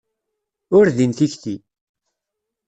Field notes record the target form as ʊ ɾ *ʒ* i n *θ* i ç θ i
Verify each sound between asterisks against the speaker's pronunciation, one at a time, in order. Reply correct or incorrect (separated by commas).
incorrect, correct